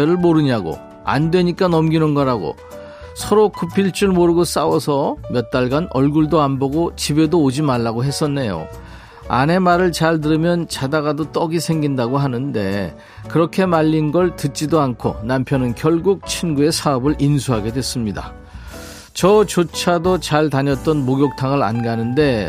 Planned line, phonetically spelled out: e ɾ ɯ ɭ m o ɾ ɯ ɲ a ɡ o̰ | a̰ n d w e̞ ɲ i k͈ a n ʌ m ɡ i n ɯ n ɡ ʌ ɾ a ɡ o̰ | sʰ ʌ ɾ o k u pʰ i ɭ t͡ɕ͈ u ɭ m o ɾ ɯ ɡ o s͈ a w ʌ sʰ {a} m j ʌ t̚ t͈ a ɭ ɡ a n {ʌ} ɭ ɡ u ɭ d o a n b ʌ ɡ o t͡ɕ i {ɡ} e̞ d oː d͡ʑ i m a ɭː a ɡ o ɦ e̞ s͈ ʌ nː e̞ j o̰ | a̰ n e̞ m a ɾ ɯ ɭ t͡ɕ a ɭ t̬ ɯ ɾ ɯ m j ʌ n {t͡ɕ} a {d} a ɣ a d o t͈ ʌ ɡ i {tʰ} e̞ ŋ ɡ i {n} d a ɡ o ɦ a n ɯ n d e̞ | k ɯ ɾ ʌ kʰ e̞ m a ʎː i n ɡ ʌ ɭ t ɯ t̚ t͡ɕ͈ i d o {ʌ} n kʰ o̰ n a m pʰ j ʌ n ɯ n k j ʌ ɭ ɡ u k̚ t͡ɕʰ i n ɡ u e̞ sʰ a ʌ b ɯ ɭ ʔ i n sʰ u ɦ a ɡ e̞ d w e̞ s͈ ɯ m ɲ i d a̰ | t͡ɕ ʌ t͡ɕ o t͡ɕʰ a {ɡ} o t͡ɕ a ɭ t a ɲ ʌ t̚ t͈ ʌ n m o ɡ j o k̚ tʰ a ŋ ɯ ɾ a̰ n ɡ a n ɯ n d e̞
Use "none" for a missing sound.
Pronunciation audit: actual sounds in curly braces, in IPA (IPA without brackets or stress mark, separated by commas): ʌ, ʌ, b, t͡ɕ, d, sʰ, n, a, d